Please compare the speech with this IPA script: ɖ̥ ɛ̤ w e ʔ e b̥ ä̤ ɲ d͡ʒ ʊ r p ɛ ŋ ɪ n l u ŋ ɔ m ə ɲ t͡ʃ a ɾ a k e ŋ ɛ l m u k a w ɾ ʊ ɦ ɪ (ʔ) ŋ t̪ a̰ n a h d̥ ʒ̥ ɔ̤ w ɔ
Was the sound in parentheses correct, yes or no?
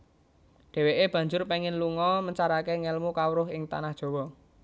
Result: no